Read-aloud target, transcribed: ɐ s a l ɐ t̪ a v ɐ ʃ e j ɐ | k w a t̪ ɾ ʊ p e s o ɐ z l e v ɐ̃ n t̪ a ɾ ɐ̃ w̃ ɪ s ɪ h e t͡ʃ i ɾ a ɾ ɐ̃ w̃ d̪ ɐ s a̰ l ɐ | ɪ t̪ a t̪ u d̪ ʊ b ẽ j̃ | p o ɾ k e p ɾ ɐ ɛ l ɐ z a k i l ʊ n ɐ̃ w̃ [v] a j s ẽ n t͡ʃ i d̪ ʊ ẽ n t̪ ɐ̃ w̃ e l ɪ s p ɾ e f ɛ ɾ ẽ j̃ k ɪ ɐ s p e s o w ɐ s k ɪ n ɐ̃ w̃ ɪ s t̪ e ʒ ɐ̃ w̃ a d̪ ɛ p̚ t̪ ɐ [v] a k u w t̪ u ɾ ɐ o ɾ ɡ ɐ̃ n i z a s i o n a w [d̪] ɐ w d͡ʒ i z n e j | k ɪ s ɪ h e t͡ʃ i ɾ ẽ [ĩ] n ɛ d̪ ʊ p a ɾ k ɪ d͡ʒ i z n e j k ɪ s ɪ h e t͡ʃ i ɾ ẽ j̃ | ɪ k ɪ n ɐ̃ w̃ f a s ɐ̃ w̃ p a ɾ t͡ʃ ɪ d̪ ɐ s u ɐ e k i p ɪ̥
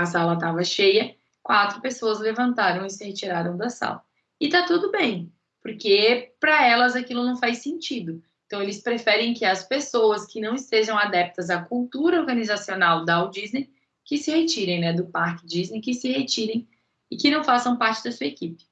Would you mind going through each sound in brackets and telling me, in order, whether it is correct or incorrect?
incorrect, incorrect, correct, incorrect

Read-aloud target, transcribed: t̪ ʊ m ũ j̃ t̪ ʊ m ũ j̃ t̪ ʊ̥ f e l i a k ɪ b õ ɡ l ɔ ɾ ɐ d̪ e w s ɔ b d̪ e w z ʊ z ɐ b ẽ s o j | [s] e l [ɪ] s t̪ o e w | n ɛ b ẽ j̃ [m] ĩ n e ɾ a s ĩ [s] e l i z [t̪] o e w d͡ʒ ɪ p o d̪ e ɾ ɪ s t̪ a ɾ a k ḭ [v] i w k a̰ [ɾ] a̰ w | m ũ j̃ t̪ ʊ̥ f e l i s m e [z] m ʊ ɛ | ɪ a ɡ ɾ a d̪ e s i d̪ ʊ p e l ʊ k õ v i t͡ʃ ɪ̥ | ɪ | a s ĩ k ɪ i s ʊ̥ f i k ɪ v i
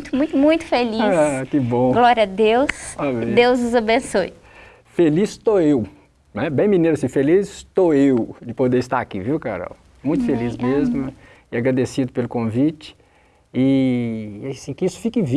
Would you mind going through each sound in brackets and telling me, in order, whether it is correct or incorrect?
incorrect, incorrect, correct, incorrect, correct, correct, correct, correct

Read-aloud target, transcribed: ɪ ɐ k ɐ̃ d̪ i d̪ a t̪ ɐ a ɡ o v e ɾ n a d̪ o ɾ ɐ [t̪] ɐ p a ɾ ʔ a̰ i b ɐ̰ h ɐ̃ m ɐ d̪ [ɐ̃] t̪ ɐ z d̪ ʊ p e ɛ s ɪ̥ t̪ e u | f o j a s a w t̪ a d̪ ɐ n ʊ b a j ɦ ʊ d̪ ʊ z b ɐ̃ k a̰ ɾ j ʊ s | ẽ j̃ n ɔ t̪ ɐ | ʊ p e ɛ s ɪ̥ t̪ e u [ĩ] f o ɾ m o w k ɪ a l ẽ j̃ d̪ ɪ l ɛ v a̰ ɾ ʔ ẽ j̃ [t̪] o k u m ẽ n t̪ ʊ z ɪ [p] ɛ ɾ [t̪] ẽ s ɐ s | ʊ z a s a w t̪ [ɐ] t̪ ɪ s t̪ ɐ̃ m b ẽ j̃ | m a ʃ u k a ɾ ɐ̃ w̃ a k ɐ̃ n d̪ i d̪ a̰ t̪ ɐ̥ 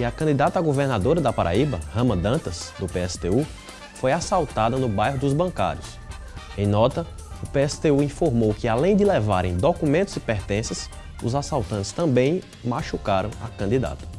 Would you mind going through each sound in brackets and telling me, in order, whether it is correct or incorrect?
incorrect, correct, correct, incorrect, correct, correct, incorrect

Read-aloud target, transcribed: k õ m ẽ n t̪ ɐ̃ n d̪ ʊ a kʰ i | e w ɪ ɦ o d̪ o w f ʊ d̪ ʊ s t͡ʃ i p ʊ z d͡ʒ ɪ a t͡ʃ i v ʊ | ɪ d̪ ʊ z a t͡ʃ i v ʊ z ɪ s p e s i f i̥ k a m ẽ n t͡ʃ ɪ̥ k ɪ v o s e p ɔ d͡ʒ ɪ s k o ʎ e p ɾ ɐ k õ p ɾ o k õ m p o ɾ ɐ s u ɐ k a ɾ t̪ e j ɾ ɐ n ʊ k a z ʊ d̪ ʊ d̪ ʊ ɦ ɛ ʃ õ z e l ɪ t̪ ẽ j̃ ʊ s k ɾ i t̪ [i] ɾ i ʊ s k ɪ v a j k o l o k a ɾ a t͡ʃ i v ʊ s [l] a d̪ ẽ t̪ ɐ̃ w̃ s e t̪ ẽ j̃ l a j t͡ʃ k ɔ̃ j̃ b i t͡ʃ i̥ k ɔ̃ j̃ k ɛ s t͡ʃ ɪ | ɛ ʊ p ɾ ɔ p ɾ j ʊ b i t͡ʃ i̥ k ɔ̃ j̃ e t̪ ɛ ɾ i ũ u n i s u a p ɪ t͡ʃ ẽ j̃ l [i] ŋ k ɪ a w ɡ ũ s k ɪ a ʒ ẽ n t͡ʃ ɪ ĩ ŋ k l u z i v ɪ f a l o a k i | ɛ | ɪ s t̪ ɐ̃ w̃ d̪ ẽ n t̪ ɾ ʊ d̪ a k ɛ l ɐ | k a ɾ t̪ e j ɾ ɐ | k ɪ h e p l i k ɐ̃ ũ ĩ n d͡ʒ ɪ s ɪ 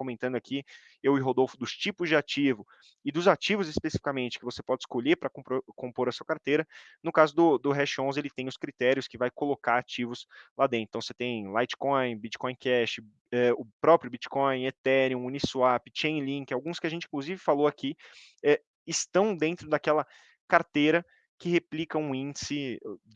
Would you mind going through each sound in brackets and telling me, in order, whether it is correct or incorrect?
incorrect, correct, incorrect

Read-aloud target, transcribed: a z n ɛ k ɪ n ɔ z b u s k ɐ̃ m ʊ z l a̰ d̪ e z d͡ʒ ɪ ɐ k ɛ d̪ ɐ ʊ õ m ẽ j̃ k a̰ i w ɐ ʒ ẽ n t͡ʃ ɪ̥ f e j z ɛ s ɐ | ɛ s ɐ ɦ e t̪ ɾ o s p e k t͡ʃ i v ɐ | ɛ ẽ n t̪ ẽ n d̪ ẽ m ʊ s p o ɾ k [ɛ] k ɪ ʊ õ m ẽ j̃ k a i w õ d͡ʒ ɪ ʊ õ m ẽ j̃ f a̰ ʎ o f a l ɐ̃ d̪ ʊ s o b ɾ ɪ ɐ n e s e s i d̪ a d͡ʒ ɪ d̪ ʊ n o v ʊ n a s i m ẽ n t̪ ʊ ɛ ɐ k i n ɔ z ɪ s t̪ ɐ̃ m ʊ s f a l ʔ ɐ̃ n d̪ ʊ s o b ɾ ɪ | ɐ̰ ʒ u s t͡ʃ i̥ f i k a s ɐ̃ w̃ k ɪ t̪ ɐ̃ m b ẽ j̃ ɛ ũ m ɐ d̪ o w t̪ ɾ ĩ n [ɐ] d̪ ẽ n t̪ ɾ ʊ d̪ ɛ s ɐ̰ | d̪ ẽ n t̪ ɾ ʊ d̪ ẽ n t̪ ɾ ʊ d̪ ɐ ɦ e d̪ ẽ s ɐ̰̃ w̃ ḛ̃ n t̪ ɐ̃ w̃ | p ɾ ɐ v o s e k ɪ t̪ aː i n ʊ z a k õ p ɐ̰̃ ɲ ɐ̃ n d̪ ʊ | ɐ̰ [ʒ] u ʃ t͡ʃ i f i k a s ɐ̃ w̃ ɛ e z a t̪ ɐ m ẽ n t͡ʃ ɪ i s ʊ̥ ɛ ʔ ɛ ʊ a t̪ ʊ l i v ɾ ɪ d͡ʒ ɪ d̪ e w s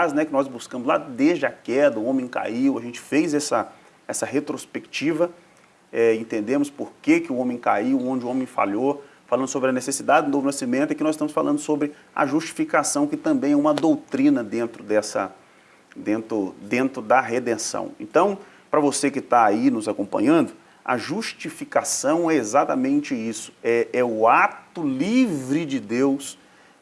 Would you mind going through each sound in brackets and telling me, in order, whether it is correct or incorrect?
incorrect, correct, correct

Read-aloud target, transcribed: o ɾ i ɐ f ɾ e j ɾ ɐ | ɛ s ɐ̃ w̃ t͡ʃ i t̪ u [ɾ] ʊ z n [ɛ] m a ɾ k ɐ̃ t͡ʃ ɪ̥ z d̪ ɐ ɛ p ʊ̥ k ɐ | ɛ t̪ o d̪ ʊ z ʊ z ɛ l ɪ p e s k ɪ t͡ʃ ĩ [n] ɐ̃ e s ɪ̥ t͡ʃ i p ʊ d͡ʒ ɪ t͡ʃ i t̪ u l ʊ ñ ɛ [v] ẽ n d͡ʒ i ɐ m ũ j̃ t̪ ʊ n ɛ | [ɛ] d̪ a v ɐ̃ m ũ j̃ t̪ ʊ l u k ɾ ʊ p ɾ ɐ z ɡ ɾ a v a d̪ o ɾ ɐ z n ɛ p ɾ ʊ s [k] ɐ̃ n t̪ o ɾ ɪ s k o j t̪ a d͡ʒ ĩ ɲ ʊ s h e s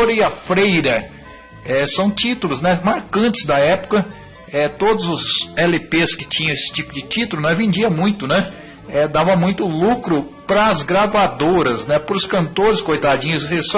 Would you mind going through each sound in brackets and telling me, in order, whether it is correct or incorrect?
incorrect, correct, incorrect, correct, correct, correct

